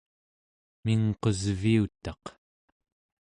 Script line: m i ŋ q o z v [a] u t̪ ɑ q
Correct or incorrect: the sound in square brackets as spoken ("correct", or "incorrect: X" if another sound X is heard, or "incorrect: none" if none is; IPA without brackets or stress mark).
incorrect: i